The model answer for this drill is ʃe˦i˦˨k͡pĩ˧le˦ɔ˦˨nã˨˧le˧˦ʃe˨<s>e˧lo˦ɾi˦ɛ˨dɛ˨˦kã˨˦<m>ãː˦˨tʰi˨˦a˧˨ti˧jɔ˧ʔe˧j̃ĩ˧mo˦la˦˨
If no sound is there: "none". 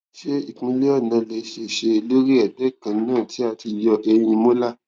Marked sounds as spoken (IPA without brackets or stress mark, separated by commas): ʃ, n